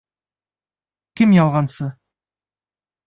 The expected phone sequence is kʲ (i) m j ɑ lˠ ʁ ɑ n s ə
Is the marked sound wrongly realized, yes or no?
yes